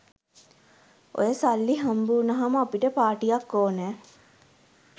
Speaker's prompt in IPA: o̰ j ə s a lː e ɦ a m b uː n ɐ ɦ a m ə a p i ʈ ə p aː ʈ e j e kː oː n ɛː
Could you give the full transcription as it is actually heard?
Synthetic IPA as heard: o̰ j ə s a lː i ɦ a m b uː n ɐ ɦ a m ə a p i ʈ ə p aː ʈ i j a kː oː n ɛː